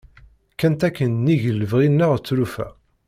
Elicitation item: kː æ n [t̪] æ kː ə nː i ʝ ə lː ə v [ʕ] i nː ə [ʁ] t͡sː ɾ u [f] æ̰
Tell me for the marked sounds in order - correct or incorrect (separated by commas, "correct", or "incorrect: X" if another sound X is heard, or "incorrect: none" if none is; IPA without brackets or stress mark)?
correct, incorrect: ʁ, correct, correct